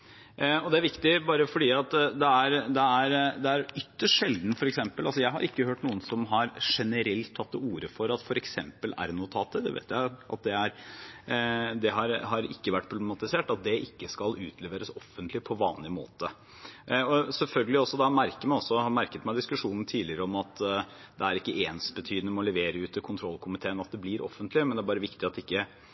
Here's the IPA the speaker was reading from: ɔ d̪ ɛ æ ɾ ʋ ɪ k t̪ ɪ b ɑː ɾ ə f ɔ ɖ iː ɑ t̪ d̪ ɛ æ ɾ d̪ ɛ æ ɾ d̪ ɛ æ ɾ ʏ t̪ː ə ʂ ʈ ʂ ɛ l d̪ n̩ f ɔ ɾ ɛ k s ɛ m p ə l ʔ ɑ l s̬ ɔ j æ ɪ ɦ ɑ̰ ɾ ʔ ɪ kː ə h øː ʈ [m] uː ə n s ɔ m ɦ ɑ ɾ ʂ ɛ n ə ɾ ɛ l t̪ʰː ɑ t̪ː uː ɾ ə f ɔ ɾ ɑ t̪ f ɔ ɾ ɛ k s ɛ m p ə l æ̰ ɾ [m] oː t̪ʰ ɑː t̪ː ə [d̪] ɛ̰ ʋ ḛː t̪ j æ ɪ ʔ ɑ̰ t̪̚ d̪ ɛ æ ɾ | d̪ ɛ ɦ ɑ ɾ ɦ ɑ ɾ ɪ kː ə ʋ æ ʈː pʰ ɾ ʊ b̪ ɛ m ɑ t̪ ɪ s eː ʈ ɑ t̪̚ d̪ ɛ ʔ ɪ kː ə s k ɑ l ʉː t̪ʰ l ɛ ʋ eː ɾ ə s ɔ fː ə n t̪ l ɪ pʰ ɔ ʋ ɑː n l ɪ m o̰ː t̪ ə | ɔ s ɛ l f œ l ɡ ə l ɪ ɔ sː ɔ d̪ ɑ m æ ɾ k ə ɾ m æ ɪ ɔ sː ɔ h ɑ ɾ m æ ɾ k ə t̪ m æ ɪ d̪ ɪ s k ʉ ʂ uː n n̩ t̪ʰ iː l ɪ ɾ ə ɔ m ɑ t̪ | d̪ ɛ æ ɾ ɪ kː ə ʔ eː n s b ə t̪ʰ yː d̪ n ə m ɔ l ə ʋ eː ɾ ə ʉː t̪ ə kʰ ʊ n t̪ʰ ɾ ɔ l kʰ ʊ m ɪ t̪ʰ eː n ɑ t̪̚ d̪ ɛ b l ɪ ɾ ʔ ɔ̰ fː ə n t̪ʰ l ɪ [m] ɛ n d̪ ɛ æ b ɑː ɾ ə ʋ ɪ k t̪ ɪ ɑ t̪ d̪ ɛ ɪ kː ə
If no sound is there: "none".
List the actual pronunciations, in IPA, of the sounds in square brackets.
n, n, d̪, m

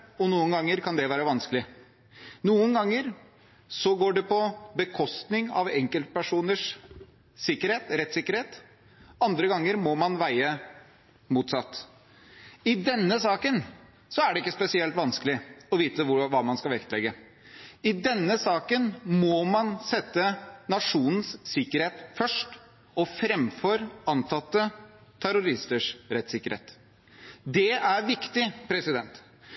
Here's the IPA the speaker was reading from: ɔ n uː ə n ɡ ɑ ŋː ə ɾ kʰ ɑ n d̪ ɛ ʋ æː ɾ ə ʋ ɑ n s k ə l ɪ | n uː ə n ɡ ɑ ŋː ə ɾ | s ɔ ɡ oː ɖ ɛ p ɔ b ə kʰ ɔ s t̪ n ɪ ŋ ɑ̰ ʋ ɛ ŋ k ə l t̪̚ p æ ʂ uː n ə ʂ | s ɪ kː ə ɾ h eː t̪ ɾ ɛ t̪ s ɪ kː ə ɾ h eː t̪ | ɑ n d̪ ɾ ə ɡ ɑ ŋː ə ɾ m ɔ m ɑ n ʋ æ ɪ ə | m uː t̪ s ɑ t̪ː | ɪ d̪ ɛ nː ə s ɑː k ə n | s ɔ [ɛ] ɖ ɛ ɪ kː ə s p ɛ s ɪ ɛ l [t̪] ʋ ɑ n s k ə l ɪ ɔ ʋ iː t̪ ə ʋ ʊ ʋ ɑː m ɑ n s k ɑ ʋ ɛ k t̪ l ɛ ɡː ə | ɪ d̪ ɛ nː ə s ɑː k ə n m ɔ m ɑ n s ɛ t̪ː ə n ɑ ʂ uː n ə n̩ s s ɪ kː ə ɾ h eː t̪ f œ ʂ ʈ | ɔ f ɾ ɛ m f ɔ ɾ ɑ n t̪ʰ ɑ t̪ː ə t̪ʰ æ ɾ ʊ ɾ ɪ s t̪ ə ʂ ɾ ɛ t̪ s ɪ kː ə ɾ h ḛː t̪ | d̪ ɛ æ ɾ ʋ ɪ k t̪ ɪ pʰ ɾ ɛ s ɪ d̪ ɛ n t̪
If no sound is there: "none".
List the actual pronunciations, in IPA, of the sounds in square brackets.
æ, t̪

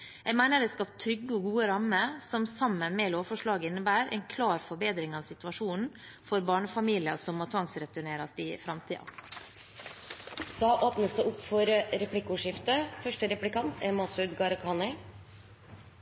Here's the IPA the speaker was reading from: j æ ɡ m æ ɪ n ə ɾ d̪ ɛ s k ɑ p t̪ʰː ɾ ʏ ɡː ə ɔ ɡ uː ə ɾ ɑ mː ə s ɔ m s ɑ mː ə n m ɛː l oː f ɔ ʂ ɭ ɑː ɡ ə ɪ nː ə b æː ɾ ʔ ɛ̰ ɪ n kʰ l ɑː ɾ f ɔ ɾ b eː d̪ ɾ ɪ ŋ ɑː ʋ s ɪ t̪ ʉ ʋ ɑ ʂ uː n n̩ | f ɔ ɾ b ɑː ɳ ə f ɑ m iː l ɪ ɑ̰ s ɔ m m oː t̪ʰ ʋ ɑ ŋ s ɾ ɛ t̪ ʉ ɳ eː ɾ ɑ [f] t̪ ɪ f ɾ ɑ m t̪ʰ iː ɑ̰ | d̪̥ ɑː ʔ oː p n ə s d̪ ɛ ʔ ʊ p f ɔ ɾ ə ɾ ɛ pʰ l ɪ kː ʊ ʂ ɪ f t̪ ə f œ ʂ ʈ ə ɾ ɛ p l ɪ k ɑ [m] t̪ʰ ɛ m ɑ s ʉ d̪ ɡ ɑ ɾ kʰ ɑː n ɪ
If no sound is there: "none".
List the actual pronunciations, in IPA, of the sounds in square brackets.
s, n

